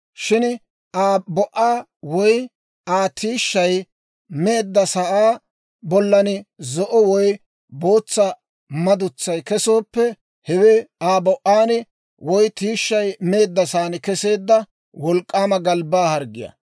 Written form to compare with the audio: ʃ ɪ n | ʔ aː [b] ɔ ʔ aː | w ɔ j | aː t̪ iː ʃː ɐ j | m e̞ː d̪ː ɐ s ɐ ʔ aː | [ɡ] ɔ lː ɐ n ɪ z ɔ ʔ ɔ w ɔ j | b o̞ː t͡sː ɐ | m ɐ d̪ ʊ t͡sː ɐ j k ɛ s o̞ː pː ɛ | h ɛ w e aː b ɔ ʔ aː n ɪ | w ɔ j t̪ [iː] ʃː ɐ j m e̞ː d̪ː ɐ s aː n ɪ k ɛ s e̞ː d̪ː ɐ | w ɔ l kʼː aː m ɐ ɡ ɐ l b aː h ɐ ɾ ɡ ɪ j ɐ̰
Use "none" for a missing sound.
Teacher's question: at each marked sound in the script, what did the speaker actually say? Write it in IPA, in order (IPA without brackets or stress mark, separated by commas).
b, b, iː